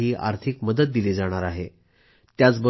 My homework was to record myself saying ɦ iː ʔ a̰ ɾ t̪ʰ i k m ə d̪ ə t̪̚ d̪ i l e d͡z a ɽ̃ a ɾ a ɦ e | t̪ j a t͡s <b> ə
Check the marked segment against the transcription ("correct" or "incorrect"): correct